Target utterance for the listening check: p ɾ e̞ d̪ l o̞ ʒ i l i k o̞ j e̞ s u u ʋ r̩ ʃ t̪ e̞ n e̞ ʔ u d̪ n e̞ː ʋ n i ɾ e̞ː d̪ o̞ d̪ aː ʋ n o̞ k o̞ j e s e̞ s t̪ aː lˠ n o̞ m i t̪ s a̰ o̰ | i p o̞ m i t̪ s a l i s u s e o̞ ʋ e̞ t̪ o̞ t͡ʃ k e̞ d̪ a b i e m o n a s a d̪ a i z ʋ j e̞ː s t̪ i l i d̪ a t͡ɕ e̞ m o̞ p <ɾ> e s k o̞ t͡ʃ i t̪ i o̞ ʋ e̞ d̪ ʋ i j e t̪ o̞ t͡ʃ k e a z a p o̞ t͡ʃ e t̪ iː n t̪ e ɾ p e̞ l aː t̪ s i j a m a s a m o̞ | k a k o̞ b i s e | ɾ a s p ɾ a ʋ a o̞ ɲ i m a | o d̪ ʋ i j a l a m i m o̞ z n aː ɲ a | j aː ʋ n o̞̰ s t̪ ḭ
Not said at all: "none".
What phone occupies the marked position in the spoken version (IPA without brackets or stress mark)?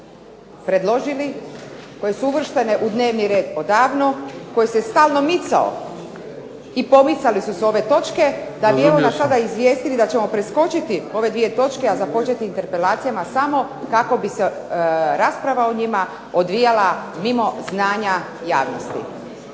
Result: ɾ